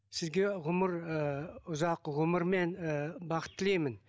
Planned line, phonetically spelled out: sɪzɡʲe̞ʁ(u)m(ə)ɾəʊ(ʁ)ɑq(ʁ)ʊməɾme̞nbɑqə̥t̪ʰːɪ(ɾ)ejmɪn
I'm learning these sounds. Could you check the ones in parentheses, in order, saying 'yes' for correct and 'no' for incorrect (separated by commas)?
no, yes, no, yes, no